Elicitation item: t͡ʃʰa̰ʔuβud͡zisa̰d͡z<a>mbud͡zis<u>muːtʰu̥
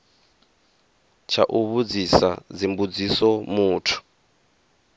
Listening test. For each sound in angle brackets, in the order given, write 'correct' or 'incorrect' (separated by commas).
incorrect, incorrect